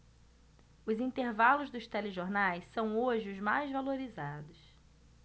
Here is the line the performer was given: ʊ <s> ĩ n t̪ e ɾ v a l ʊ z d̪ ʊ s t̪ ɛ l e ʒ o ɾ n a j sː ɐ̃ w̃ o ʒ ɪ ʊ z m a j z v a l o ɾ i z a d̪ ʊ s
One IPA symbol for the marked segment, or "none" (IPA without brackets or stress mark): z